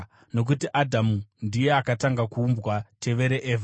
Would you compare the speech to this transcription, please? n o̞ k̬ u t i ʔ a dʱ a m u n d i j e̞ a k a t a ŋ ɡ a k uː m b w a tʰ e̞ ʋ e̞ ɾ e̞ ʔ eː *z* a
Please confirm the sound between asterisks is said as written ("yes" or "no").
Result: no